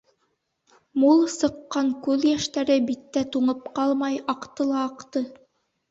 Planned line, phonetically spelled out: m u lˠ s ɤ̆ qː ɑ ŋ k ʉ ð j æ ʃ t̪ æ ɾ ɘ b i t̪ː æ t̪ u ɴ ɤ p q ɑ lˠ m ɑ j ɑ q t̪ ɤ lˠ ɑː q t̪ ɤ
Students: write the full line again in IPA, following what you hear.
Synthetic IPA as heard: m u lˠ s ɤ̆ qː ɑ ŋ k ʉ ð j æ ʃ t̪ æ ɾ ɘ b i t̪ː æ t̪ u ɴ ɤ p q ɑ lˠ m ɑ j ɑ q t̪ ɤ lˠ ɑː q t̪ ɤ

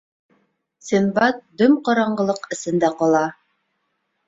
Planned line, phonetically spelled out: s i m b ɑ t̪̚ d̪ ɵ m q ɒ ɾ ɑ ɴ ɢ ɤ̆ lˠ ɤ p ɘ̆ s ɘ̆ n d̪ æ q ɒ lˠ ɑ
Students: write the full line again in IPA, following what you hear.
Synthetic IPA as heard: s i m b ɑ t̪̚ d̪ ɵ m q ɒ ɾ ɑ ɴ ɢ ɤ̆ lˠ ɤ q ɘ̆ s ɘ̆ n d̪ æ q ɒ lˠ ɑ

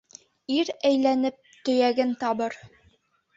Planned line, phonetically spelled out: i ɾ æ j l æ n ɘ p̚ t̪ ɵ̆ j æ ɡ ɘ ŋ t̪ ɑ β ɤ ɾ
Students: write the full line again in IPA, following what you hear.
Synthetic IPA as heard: i ɾ æ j l æ n ɘ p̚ t̪ ɵ̆ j æ ɡ ɘ n t̪ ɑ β ɤ ɾ

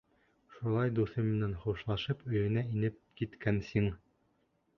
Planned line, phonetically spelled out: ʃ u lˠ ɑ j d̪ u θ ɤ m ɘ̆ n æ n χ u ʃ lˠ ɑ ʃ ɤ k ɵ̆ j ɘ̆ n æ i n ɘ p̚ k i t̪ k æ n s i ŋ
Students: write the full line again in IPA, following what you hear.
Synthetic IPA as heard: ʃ u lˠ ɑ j d̪ u θ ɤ m ɘ̆ n æ n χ u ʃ lˠ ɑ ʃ ɤ p ɵ̆ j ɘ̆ n æ i n ɘ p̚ k i t̪ k æ n s i ŋ

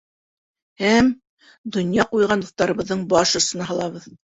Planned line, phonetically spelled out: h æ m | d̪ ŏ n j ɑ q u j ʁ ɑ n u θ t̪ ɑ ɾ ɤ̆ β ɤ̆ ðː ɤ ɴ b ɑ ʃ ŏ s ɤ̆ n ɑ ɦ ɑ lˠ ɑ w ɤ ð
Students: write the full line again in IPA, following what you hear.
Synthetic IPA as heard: h æ m | d̪ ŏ n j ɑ q u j ʁ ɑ n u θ t̪ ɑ ɾ ɤ̆ β ɤ̆ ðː ɤ ɴ b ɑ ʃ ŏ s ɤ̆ n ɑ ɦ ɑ lˠ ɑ β ɤ ð

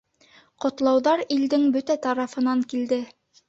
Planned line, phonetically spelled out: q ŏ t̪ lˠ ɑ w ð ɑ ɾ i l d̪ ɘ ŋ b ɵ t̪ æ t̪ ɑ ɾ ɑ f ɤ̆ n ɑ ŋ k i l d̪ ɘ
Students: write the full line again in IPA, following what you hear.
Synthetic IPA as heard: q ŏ t̪ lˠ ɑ w ð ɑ ɾ i l d̪ ɘ ŋ b ɵ t̪ æ t̪ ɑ ɾ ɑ f ɤ̆ n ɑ ŋ k i l d̪ ɘ

